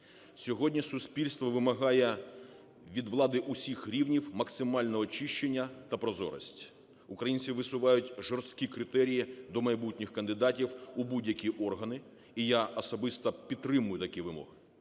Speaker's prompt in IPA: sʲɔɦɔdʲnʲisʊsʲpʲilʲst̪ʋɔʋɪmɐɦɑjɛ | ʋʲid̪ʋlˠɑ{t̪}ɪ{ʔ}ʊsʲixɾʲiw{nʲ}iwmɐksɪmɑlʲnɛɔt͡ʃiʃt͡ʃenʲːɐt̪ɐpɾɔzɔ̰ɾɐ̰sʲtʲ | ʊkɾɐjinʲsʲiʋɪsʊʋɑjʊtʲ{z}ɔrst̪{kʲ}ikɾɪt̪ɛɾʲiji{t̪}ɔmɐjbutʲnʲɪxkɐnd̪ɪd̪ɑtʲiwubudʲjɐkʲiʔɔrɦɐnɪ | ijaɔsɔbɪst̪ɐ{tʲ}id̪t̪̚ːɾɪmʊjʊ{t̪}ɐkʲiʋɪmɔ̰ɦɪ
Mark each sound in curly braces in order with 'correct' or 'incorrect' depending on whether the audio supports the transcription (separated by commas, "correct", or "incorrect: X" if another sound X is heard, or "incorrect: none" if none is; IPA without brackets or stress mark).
incorrect: d̪, correct, correct, incorrect: ʒ, correct, incorrect: d̪, incorrect: pʲ, correct